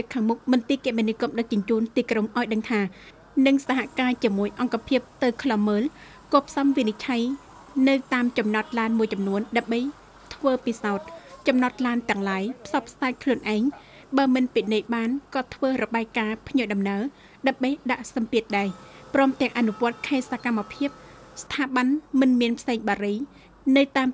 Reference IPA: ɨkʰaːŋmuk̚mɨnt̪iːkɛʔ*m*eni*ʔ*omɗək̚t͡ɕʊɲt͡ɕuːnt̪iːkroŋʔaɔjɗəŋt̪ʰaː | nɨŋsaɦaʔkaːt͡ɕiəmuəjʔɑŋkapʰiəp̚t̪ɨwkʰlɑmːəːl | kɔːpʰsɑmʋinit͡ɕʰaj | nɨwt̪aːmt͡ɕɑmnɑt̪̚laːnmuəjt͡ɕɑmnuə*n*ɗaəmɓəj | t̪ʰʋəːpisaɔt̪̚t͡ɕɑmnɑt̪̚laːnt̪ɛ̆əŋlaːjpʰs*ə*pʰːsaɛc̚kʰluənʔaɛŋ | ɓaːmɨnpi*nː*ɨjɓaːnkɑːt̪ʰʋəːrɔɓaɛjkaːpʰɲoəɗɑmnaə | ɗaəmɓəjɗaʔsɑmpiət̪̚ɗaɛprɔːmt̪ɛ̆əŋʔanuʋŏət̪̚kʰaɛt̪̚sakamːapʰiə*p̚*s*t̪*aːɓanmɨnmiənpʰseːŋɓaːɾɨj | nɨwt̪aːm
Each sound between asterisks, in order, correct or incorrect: correct, incorrect: k, correct, incorrect: ɑ, incorrect: n, correct, incorrect: t̪ʰ

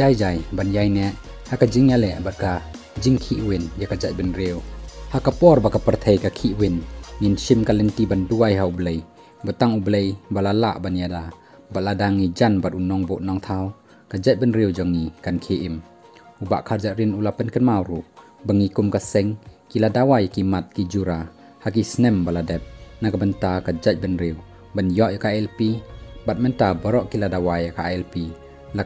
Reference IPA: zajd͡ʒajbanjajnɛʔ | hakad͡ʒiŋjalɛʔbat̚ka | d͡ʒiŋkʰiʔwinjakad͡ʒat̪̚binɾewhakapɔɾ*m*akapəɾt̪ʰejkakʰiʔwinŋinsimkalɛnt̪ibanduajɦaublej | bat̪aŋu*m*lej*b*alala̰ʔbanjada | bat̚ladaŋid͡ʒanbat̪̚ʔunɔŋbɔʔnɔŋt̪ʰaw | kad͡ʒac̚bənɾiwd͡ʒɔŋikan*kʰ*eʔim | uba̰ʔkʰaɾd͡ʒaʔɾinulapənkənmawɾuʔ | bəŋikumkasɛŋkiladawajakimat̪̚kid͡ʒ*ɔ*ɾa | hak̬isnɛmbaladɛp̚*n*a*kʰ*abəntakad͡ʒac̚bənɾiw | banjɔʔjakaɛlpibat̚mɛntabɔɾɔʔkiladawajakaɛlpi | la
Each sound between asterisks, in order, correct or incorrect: incorrect: b, incorrect: b, correct, correct, incorrect: u, correct, incorrect: k

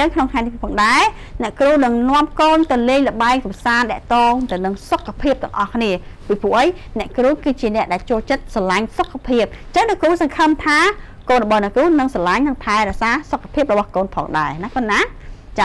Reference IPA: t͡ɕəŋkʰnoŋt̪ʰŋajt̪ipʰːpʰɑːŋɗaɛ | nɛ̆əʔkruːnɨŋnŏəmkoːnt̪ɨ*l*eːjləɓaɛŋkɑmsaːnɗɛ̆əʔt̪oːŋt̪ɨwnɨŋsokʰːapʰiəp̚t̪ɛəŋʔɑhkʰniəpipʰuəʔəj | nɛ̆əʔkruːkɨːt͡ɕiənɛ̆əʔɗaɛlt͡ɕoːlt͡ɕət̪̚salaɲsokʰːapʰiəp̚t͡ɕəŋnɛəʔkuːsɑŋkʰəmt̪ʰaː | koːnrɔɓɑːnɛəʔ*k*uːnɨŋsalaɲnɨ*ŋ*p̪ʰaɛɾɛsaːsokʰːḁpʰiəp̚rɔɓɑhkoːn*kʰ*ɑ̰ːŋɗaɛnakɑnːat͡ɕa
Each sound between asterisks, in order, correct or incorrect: correct, correct, correct, incorrect: pʰ

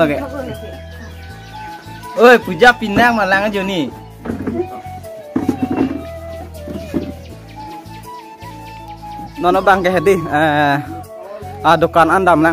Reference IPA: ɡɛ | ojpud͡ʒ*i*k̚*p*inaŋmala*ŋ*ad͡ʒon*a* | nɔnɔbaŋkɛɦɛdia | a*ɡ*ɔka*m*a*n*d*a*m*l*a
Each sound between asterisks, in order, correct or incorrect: incorrect: a, correct, correct, incorrect: i, incorrect: d, incorrect: n, correct, correct, correct

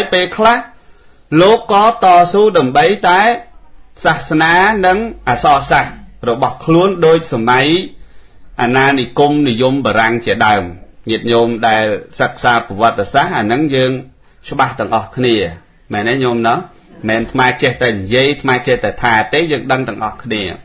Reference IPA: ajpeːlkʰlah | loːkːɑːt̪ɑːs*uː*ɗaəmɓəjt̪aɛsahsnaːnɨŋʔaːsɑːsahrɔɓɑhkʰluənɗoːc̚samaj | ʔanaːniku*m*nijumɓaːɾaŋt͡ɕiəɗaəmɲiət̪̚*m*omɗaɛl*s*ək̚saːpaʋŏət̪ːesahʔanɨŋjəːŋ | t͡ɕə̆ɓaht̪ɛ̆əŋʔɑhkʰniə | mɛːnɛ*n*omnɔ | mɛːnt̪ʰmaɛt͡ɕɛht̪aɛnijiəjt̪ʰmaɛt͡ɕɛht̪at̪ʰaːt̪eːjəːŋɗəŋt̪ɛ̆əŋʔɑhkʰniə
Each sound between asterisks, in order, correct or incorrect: correct, correct, incorrect: ɲ, correct, incorrect: ɲ

